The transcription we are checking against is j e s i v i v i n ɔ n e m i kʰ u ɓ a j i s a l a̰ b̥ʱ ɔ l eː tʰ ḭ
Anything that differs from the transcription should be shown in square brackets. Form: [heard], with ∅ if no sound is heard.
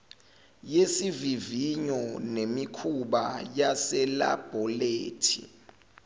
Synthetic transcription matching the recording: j e s i v i v i [ɲ] ɔ n e m i kʰ u ɓ a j [a] s [ɛ] l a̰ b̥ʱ ɔ l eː tʰ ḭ